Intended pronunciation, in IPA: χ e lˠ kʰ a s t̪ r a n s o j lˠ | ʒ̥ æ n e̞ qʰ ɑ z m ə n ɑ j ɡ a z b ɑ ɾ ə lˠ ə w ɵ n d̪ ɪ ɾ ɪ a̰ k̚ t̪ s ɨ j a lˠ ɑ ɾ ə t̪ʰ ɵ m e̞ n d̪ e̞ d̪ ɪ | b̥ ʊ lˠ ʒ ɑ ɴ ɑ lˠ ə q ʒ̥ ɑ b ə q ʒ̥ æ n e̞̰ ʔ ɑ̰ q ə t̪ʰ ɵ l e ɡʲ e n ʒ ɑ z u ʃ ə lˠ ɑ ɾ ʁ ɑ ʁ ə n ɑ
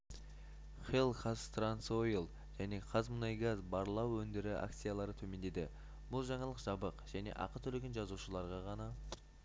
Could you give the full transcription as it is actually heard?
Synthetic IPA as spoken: χ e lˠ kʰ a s t̪ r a n s o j lˠ | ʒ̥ æ n e̞ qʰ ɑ z m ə n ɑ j ɡ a z b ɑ ɾ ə lˠ ɑ w ɵ n d̪ ɪ ɾ ɪ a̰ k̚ t̪ s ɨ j a lˠ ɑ ɾ ə t̪ʰ ɵ m e̞ n d̪ e̞ d̪ ɪ | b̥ ʊ lˠ ʒ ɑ ɴ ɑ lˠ ə q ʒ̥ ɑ b ə q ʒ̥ æ n e̞̰ ʔ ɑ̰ q ə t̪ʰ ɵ l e ɡʲ e n ʒ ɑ z u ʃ ə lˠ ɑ ɾ ʁ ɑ ʁ ɑ n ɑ

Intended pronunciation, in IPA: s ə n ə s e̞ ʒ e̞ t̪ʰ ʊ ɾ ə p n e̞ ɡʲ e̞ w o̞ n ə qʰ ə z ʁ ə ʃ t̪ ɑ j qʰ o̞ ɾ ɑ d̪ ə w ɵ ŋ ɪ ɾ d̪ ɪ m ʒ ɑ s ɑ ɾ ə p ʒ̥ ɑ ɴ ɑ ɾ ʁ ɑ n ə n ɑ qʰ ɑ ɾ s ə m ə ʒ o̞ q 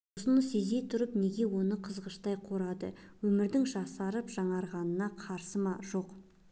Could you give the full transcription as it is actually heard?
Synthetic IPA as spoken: s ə n ə s e̞ z e̞ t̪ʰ ʊ ɾ ə p n e̞ ɡʲ e̞ w o̞ n ə qʰ ə z ʁ ə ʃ t̪ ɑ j qʰ o̞ ɾ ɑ d̪ ə w ɵ m ɪ ɾ d̪ ɪ ŋ ʒ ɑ s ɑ ɾ ə p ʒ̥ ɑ ɴ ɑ ɾ ʁ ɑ n ə n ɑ qʰ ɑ ɾ s ə m ɑ ʒ o̞ q

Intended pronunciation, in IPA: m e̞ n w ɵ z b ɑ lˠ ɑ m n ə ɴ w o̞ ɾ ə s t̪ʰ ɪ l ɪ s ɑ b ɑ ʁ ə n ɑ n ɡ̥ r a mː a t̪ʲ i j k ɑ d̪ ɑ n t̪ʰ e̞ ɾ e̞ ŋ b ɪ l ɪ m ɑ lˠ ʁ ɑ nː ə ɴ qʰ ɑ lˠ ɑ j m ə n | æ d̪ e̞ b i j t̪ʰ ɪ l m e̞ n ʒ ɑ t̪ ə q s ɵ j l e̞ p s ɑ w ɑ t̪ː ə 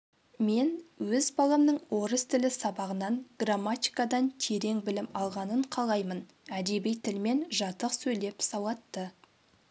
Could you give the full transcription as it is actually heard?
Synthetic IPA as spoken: m e̞ n w ɵ z b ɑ lˠ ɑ m n ə ɴ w o̞ ɾ ə s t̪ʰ ɪ l ɪ s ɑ b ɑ ʁ ə n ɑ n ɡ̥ r a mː a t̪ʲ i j k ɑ d̪ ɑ n t̪ʰ e̞ ɾ e̞ ŋ b ɪ l ɪ m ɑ lˠ ʁ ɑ n ə ɴ qʰ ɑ lˠ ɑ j m ə n | æ d̪ e̞ b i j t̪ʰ ɪ l m e̞ n ʒ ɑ t̪ ə q s ɵ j l e̞ p s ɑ w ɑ t̪ː ə

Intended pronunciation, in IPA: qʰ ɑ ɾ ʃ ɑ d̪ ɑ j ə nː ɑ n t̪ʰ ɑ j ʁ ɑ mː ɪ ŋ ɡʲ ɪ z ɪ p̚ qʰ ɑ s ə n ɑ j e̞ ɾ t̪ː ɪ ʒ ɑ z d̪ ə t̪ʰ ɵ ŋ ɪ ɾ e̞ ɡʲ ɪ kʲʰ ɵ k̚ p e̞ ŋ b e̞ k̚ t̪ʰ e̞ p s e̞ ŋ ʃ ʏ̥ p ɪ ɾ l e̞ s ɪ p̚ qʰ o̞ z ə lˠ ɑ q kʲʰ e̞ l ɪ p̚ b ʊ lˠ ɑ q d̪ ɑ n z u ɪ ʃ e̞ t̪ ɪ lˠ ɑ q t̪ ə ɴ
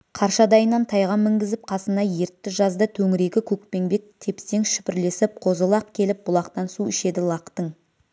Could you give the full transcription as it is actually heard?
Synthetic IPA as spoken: qʰ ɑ ɾ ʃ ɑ d̪ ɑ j ə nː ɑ n t̪ʰ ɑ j ʁ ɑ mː ɪ ŋ ɡʲ ɪ z ɪ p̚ qʰ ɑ s ə n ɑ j e̞ ɾ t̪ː ɪ ʒ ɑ z d̪ ə t̪ʰ ɵ ŋ ɪ ɾ e̞ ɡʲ ɪ kʲʰ ɵ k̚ p e̞ ŋ b e̞ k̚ t̪ʰ e̞ p s e̞ ŋ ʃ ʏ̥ p ɪ ɾ l e̞ s ɪ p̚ qʰ o̞ z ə lˠ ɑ q kʲʰ e̞ l ɪ p̚ b ʊ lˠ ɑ q t̪ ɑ n s u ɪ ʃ e̞ d̪ ɪ lˠ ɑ q t̪ ə ɴ

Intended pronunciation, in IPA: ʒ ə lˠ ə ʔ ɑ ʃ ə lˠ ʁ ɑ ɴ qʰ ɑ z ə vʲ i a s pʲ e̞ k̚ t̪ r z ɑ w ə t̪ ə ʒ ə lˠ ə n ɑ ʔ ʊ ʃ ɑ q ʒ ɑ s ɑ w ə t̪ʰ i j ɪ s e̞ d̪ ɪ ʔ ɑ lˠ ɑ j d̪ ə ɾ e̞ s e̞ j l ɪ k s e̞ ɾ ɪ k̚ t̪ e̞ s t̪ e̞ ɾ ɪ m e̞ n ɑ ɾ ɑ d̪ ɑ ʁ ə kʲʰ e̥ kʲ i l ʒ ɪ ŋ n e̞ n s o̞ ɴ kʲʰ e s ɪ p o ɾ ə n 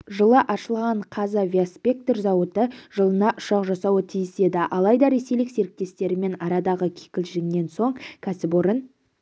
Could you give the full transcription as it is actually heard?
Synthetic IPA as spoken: ʒ ə lˠ ə ʔ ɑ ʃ ə lˠ ʁ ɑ ɴ qʰ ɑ z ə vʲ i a s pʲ e̞ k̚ t̪ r z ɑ w ə t̪ ə ʒ ə lˠ ə n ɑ ʔ ʊ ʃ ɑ q ʒ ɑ s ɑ w ə t̪ʰ i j ɪ s e̞ d̪ ɪ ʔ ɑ lˠ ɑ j d̪ ɑ ɾ e̞ s e̞ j l ɪ k s e̞ ɾ ɪ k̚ t̪ e̞ s t̪ e̞ ɾ ɪ m e̞ n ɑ ɾ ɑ d̪ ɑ ʁ ə kʲʰ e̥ kʲ ɪ l ʒ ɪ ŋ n e̞ n s o̞ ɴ kʲʰ æ s ɪ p o ɾ ə n

